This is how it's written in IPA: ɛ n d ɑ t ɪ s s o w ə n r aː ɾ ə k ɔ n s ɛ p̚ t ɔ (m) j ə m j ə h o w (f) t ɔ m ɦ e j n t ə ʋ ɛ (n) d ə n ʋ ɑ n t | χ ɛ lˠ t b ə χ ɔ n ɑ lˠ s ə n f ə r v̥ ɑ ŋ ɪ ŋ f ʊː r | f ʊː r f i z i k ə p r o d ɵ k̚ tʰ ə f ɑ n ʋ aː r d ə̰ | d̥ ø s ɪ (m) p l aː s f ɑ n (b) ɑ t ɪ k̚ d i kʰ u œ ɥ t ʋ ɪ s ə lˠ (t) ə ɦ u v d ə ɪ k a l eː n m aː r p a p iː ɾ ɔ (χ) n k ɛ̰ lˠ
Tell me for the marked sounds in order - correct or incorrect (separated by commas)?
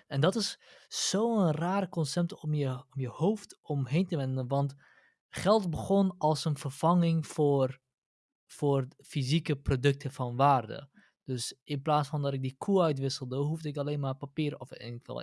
correct, correct, correct, incorrect, incorrect, incorrect, incorrect